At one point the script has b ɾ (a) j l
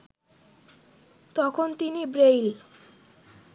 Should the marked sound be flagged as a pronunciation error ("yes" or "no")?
yes